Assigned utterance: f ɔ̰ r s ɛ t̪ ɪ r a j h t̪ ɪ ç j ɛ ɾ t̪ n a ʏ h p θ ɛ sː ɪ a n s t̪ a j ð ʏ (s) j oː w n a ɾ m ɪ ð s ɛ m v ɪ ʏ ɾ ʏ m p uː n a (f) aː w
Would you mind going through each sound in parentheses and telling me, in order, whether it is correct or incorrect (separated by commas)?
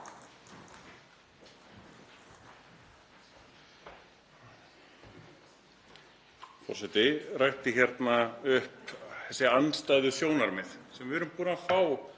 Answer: correct, correct